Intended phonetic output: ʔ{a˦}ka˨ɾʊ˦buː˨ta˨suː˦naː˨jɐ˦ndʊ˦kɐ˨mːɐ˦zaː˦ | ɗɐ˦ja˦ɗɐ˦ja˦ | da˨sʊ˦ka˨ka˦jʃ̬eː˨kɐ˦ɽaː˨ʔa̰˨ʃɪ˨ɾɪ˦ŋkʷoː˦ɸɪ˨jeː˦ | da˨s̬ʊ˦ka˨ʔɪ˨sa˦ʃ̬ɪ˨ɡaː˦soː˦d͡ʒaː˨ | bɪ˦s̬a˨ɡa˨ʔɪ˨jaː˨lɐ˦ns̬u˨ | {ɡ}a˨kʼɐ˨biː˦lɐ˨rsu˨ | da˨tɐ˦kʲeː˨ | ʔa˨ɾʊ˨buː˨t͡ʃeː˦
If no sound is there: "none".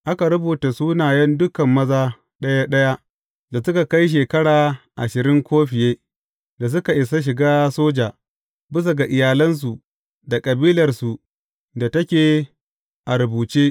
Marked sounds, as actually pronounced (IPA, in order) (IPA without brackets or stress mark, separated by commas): a˦, d